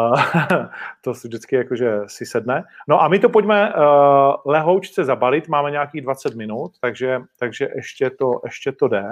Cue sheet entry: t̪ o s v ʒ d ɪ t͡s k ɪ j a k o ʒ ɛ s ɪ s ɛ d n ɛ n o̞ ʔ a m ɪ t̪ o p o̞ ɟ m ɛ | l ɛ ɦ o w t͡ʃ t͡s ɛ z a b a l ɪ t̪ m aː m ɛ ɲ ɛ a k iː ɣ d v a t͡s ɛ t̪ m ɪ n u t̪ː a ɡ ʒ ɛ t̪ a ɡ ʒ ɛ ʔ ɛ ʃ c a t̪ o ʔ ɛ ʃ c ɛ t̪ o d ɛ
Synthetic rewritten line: t̪ o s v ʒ d ɪ t͡s k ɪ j a k o ʒ ɛ s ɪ s ɛ d n ɛ n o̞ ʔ a m ɪ t̪ o p o̞ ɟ m ɛ | l ɛ ɦ o w t͡ʃ t͡s ɛ z a b a l ɪ t̪ m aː m ɛ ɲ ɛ a k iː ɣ d v a t͡s ɛ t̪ m ɪ n u t̪ː a ɡ ʒ ɛ t̪ a ɡ ʒ ɛ ʔ ɛ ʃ c ɛ t̪ o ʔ ɛ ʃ c ɛ t̪ o d ɛ